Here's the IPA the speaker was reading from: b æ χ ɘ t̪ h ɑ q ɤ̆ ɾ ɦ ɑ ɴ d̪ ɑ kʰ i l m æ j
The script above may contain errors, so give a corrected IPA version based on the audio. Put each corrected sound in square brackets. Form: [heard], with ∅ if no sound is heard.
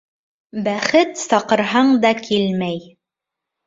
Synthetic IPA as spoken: b æ χ ɘ t̪ [s] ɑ q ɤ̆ ɾ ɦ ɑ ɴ d̪ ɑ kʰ i l m æ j